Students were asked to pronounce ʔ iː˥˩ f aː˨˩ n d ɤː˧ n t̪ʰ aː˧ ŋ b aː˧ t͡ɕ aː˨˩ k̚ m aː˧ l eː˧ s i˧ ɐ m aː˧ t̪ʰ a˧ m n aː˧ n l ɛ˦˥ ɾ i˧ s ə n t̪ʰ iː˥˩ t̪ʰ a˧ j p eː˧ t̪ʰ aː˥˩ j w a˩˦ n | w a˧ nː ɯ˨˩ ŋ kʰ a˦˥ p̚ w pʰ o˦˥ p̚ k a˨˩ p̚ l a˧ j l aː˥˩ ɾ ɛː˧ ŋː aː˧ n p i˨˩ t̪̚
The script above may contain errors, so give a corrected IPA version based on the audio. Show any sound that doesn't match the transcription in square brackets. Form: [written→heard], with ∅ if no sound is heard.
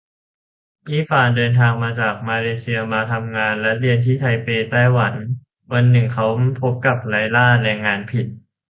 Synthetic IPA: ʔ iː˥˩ f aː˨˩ n d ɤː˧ n t̪ʰ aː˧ ŋ [b→m] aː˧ t͡ɕ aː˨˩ k̚ m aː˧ l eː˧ s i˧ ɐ m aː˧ t̪ʰ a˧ m [n→ŋ] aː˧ n l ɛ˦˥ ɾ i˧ [s→∅] ə n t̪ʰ iː˥˩ t̪ʰ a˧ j p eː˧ [t̪ʰ→t̪] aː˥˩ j w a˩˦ n | w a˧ nː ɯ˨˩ ŋ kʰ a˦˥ [p̚→∅] w pʰ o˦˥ p̚ k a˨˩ p̚ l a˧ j l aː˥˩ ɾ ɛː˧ ŋː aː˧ n [p→pʰ] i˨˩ t̪̚